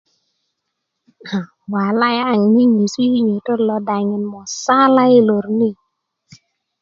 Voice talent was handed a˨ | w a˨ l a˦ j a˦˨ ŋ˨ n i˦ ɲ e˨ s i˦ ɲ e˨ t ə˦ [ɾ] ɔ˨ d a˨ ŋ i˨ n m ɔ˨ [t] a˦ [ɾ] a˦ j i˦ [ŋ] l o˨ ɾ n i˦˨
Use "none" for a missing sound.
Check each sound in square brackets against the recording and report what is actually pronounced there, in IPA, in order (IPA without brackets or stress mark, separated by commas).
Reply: l, s, l, none